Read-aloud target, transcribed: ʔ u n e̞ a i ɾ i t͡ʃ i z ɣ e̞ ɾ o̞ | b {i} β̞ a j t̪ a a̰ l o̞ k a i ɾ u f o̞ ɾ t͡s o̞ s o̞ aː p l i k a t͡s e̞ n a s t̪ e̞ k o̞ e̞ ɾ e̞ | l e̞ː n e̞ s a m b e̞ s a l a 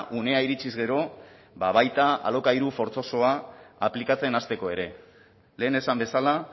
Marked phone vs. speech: incorrect: a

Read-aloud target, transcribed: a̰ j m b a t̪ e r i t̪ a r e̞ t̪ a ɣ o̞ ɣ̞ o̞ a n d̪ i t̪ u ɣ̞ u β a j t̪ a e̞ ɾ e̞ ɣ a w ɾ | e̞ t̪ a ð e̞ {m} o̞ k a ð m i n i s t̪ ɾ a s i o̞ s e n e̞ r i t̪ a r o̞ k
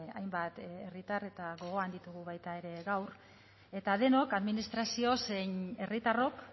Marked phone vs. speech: incorrect: n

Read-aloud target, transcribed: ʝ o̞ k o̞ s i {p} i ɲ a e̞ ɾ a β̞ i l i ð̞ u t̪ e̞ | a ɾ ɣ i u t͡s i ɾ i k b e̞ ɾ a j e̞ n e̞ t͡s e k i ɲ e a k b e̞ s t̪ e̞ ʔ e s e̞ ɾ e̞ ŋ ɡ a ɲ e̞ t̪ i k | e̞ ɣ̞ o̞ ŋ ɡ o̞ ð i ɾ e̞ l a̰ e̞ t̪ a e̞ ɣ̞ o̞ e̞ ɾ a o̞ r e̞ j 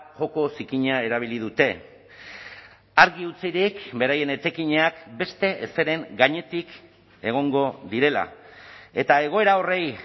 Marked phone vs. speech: incorrect: k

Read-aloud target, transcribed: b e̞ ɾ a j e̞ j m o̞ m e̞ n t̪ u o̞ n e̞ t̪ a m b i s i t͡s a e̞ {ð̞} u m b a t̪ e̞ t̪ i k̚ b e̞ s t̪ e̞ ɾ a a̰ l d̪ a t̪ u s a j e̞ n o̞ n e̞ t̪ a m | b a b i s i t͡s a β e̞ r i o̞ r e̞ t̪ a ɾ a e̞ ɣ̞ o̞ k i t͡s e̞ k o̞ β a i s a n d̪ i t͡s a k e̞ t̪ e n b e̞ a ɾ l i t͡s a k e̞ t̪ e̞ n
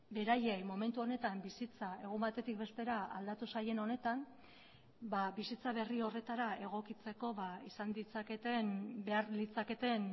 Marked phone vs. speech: incorrect: ɣ̞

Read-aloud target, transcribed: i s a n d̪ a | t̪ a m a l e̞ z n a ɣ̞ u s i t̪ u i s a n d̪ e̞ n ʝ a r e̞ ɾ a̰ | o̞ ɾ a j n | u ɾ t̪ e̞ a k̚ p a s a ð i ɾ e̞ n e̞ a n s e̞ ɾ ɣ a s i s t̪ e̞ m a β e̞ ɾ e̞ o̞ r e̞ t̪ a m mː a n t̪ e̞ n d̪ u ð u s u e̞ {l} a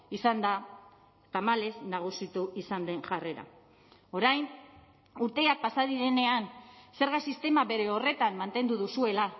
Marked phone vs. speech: correct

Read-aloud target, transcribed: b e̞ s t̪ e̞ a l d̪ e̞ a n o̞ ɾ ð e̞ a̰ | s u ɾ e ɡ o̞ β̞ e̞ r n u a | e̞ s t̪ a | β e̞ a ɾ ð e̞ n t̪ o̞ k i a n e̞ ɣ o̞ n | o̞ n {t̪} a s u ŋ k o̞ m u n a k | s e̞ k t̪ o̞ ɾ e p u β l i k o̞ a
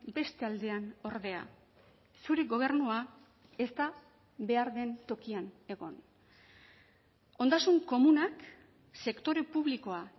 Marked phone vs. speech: incorrect: d̪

